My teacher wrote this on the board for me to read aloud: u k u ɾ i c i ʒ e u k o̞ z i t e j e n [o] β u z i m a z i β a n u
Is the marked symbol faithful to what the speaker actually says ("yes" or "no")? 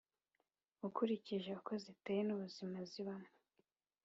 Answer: no